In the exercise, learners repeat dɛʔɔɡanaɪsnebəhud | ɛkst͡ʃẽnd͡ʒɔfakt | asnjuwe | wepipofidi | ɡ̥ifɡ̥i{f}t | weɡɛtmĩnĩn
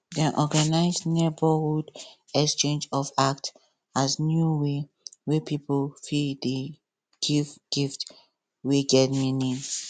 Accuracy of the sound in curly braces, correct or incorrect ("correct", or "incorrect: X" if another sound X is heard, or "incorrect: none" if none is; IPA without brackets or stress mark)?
correct